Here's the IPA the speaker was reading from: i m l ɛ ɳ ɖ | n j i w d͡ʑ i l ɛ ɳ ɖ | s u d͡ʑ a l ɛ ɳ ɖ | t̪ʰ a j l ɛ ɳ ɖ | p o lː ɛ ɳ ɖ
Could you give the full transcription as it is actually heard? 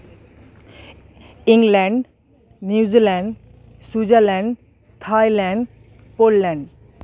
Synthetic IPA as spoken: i ŋ l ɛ ɳ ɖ | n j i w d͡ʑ i l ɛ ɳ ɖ | s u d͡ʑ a l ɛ ɳ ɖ | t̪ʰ a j l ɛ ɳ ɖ | p o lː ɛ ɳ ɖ